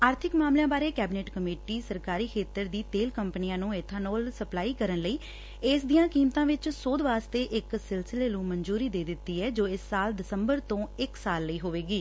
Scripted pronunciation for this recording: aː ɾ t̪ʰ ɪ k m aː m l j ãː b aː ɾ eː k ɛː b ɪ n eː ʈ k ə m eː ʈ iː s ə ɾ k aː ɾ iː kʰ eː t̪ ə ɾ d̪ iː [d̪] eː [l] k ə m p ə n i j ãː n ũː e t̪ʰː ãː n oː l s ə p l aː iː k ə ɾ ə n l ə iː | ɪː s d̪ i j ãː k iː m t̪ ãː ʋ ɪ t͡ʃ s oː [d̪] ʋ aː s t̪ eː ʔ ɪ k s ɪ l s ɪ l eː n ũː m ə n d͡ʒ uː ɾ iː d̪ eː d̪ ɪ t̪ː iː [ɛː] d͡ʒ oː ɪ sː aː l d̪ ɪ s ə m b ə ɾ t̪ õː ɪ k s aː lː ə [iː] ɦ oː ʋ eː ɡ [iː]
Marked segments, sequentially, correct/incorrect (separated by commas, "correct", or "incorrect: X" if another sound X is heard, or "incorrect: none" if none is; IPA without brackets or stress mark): incorrect: t̪, correct, correct, correct, correct, correct